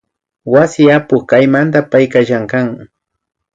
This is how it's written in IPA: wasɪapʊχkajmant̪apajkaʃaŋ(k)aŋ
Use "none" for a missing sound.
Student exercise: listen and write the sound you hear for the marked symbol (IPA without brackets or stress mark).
k